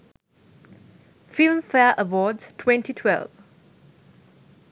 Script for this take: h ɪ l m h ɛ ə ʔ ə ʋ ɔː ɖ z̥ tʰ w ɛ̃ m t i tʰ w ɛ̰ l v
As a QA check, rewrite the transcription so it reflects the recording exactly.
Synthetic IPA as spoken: f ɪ l m f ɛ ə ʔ ə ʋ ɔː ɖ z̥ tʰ w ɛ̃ n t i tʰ w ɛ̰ l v

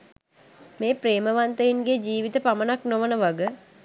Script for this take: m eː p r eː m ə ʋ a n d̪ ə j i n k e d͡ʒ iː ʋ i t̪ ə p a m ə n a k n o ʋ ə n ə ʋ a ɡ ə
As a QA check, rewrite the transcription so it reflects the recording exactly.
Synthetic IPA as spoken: m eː p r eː m ə ʋ a n t̪ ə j i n ɡ e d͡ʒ iː ʋ i t̪ ə p a m ə n a k n o ʋ ə n ə ʋ a ɡ ə

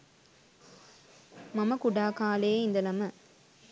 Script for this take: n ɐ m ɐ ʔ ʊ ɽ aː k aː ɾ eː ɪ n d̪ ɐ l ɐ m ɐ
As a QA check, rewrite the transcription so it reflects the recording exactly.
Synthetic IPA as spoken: m ɐ m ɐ k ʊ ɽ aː k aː l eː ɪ n d̪ ɐ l ɐ m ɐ

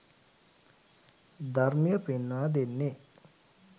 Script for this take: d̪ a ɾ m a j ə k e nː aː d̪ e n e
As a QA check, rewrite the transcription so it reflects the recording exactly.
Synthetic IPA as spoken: d̪ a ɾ m i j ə p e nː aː d̪ e nː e

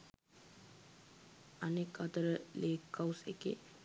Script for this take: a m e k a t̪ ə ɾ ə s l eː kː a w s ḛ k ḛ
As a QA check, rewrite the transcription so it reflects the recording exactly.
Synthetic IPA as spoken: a n e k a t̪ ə ɾ ə l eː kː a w s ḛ k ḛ

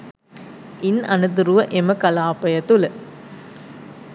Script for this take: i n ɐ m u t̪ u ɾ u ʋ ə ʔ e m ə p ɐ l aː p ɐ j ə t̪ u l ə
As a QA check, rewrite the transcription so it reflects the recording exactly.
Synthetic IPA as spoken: i n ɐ n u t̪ u ɾ u ʋ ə ʔ e m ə k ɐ l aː p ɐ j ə t̪ u l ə

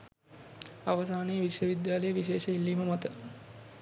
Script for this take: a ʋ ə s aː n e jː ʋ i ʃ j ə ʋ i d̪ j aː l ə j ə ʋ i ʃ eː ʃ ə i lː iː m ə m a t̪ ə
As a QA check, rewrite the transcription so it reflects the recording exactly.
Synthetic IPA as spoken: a ʋ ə s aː n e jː ʋ i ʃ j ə ʋ i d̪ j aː l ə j ə ʋ i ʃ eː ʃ ə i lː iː m ə m a t̪ ə

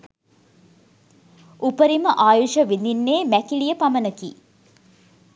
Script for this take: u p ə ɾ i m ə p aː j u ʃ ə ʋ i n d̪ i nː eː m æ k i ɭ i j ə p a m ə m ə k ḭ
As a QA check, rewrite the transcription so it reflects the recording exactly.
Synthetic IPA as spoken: u p ə ɾ i m ə ʔ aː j u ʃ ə ʋ i n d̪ i nː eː m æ k i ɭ i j ə p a m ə n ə k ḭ

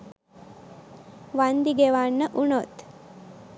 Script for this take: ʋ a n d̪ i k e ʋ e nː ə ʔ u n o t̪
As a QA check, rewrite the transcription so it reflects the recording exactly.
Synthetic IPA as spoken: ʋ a n d̪ i ɡ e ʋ a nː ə ʔ u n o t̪

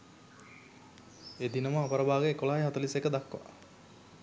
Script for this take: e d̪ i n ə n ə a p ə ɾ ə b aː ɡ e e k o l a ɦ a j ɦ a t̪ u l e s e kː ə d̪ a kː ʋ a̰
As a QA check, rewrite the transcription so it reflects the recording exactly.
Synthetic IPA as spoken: e d̪ i n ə m ə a p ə ɾ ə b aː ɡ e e k o l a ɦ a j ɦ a t̪ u l i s e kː ə d̪ a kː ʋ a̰

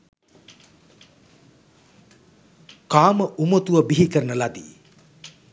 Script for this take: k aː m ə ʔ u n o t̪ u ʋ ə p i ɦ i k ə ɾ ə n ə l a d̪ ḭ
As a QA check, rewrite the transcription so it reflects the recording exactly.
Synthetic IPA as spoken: k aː m ə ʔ u m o t̪ u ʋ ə b i ɦ i k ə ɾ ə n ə l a d̪ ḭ

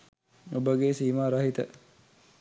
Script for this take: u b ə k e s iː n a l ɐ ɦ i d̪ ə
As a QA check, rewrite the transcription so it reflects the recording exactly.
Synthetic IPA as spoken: o b ə ɡ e s iː m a ɾ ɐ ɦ i t̪ ə

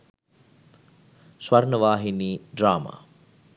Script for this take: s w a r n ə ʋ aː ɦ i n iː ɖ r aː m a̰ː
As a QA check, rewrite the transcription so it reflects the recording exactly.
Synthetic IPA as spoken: s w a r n ə ʋ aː ɦ i n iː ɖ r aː m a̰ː

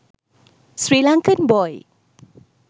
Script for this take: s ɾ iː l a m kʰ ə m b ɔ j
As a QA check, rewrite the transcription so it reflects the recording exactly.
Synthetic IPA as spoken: s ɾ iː l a ŋ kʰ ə n b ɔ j

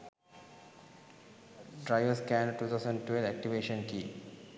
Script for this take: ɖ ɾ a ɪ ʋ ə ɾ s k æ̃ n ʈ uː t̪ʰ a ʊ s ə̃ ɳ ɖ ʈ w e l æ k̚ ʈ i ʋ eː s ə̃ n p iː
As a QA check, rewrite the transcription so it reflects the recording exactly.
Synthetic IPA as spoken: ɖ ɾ a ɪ ʋ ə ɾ s k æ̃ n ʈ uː t̪ʰ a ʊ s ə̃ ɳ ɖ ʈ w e l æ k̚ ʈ i ʋ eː ʃ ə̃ n k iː

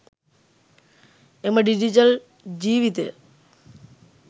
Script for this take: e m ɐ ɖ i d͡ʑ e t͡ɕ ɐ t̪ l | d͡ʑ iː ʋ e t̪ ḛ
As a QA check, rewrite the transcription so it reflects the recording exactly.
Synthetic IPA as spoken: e m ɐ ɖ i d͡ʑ i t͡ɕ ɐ l | d͡ʑ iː ʋ i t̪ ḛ

